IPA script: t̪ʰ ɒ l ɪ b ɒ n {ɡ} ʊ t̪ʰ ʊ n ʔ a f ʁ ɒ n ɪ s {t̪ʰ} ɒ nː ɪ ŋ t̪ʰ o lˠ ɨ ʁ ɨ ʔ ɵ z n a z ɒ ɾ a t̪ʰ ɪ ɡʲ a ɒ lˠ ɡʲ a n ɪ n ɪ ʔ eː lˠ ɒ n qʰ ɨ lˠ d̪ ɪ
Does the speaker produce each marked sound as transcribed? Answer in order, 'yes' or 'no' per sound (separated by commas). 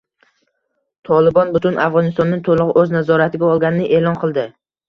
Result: no, no